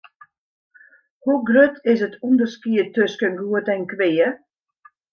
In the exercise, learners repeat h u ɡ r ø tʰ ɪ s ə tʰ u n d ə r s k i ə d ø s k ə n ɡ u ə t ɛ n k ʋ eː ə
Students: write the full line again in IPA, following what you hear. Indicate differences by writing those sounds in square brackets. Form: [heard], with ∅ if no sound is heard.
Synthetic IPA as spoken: h u ɡ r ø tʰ ɪ s ə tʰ u n d ə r s k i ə [t] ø s k ə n ɡ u ə t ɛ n k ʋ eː ə